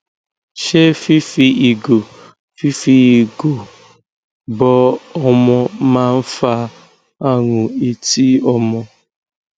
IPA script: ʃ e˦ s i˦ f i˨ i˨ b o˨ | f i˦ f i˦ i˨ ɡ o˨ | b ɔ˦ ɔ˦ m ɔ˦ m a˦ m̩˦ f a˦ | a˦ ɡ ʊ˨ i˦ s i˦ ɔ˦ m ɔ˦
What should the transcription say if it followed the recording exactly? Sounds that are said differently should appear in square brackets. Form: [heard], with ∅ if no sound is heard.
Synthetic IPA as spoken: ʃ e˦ [f] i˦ f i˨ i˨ [ɡ] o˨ | f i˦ f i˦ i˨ ɡ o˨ | b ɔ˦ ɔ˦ m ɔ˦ m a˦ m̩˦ f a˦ | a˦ [ŋ] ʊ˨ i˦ [t] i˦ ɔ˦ m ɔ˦